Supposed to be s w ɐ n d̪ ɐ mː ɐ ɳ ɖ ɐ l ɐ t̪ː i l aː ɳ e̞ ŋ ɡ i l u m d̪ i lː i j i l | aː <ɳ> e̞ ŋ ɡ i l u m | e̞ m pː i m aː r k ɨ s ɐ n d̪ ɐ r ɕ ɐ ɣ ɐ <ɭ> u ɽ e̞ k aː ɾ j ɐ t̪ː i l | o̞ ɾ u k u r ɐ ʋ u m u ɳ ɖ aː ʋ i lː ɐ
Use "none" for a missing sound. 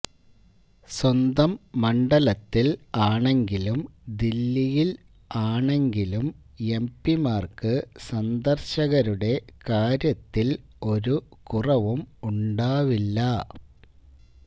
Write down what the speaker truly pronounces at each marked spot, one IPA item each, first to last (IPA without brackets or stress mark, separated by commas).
ɳ, ɾ